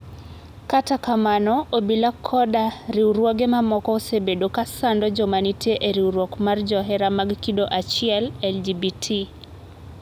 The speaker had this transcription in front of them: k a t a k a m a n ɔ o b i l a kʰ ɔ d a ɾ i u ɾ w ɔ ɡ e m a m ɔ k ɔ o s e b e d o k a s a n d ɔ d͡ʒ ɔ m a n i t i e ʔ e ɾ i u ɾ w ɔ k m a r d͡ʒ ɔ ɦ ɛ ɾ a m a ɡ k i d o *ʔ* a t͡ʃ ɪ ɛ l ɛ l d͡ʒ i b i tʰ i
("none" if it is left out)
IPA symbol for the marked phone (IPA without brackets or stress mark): ʔ